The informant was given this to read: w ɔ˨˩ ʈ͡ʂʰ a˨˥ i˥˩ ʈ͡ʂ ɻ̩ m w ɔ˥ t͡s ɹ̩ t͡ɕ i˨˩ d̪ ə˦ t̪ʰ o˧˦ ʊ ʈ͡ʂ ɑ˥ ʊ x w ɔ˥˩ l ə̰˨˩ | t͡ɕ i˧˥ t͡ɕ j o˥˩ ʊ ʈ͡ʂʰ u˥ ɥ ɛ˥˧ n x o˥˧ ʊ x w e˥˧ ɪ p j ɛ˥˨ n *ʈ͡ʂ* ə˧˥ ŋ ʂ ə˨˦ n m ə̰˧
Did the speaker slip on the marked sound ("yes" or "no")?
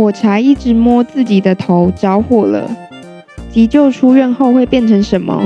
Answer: yes